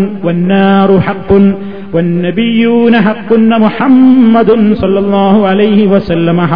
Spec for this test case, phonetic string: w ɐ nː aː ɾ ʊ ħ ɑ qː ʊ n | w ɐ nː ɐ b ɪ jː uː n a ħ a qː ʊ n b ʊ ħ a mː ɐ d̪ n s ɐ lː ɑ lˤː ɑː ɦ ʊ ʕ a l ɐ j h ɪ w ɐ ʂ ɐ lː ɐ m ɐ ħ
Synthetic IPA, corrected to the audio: w ɐ nː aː ɾ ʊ ħ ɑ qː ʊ n | w ɐ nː ɐ b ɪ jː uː n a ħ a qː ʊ n m ʊ ħ a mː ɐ d̪ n s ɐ lː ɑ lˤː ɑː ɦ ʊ ʕ a l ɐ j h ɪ w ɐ s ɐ lː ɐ m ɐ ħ